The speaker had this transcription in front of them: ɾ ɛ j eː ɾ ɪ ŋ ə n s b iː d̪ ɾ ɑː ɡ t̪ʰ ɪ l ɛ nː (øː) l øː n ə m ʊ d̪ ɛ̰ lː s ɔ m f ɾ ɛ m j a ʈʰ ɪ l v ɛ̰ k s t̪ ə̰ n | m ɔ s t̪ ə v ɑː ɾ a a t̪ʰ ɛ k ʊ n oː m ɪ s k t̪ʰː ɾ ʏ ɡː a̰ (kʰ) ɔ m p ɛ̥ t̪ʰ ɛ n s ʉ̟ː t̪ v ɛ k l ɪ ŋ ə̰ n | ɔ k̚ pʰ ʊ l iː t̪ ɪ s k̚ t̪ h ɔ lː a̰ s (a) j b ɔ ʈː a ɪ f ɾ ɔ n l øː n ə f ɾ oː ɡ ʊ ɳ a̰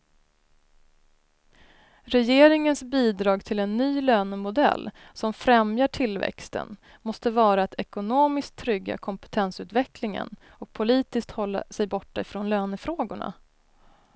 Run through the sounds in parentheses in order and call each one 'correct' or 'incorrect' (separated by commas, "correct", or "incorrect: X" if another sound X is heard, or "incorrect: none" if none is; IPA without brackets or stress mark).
incorrect: yː, correct, incorrect: ɛ